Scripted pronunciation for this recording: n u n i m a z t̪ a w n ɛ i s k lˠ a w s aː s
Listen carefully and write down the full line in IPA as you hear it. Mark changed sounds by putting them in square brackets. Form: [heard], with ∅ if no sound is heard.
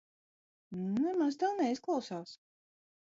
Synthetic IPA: n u n [ɛ] m a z t̪ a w n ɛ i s k lˠ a w s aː s